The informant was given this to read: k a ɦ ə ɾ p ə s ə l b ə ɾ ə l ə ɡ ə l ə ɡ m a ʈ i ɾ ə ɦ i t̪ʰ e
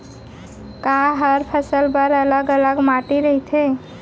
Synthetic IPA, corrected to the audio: k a ɦ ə ɾ pʰ ə s ə l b ə ɾ ə l ə ɡ ə l ə ɡ m a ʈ i ɾ ə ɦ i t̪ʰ e